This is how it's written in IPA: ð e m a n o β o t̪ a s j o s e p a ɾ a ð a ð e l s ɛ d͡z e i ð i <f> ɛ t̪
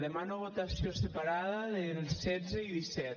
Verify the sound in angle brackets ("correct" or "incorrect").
incorrect